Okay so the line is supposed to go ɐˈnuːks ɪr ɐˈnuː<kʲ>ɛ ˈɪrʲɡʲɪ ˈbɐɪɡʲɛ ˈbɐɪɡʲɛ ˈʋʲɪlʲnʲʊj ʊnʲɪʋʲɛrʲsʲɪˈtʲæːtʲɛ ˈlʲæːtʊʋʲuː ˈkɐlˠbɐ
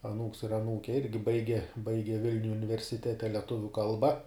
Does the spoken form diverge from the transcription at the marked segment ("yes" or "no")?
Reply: no